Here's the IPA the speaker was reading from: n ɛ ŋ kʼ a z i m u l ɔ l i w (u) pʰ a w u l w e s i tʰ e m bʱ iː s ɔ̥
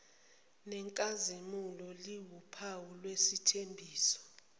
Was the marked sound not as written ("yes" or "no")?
no